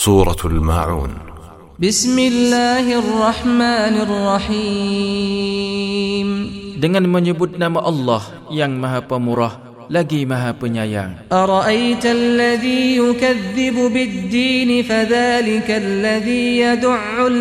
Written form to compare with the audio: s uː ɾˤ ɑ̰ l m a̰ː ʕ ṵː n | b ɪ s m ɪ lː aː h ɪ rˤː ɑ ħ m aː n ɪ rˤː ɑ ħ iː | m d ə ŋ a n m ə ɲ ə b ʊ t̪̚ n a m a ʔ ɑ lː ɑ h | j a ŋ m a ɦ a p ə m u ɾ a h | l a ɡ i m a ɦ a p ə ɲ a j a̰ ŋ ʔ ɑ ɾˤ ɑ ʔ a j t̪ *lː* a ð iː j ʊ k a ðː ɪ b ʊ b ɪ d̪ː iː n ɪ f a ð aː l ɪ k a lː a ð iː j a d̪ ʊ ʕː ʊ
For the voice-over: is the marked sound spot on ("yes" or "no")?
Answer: yes